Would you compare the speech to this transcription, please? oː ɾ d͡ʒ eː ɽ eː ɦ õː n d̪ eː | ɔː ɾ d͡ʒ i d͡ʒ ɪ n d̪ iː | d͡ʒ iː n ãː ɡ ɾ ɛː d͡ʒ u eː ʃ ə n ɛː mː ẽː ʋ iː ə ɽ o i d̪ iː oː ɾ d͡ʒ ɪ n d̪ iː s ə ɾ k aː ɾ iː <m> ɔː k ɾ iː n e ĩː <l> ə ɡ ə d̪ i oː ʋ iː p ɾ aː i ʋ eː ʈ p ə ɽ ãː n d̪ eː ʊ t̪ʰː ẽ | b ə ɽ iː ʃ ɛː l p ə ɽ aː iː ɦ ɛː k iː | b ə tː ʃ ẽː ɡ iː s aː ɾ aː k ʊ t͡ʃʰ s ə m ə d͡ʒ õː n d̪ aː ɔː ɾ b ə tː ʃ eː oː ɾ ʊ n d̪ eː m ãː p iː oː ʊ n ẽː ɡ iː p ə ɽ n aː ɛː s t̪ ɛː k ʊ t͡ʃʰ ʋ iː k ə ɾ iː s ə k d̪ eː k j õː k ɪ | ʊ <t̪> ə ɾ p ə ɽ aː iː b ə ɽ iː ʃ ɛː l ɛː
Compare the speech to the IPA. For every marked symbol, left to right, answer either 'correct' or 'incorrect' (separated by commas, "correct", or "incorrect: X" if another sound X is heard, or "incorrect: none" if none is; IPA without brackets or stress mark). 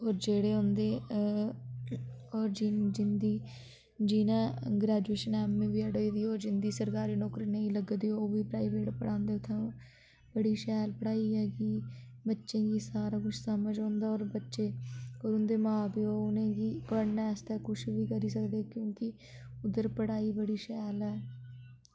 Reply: incorrect: n, correct, incorrect: d̪